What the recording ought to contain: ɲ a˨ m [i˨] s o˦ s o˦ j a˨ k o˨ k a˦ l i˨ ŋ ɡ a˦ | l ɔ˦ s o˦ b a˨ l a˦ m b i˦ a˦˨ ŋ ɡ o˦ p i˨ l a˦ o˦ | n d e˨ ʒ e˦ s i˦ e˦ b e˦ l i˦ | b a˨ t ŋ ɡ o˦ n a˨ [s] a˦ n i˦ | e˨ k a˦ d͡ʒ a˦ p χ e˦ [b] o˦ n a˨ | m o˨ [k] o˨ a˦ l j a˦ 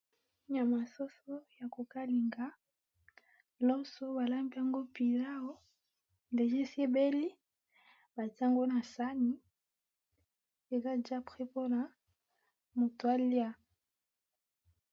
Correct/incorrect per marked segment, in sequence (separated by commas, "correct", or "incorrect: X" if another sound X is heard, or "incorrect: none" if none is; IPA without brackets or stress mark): incorrect: a˨, correct, incorrect: p, incorrect: t